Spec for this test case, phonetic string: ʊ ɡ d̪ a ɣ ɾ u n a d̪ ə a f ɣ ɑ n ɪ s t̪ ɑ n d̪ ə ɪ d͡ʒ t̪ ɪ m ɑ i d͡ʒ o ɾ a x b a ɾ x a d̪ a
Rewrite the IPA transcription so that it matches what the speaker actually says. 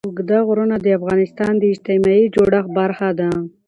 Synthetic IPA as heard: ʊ ɡ d̪ a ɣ ɾ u n a d̪ ə a f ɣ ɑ n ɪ s t̪ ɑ n d̪ ə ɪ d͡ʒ t̪ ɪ m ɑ i d͡ʒ o ɽ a x b a ɾ x a d̪ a